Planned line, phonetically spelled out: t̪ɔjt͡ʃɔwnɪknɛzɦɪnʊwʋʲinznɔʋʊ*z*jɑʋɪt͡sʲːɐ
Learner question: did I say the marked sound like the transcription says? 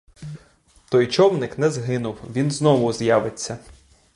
yes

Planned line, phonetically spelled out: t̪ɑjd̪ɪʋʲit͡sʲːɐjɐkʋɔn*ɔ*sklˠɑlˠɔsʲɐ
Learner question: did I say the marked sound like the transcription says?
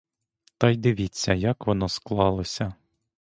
yes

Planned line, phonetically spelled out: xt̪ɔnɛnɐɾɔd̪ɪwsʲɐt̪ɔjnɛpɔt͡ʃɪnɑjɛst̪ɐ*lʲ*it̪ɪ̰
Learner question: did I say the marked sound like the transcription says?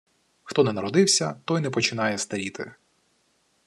no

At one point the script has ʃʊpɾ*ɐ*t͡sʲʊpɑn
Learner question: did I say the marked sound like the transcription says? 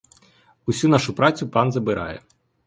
no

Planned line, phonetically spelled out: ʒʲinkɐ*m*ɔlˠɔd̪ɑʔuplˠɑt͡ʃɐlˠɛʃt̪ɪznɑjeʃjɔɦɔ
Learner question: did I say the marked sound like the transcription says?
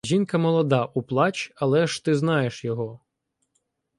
yes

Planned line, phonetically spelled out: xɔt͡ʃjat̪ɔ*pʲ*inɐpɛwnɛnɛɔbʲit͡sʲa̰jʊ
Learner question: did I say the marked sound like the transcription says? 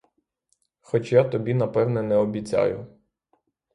no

